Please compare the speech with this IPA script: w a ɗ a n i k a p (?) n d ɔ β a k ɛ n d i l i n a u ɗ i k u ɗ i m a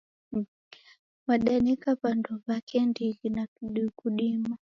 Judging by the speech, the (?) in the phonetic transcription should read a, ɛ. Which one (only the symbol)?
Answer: a